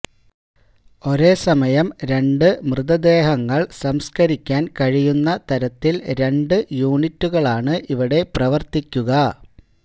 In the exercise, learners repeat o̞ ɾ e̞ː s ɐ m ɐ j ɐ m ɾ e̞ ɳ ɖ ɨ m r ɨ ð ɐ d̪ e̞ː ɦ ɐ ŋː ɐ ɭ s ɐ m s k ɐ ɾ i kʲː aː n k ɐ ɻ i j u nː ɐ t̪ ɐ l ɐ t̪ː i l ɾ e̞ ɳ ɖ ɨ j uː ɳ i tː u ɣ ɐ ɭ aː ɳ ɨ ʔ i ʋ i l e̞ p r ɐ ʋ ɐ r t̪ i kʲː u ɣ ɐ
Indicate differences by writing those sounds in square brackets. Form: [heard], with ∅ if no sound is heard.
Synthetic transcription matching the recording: o̞ ɾ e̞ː s ɐ m ɐ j ɐ m ɾ e̞ ɳ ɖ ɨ m r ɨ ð ɐ d̪ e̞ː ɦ ɐ ŋː ɐ ɭ s ɐ m s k ɐ ɾ i kʲː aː n k ɐ ɻ i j u nː ɐ t̪ ɐ [ɾ] ɐ t̪ː i l ɾ e̞ ɳ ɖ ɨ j uː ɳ i tː u ɣ ɐ ɭ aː ɳ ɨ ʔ i ʋ i [ɽ] e̞ p r ɐ ʋ ɐ r t̪ i kʲː u ɣ ɐ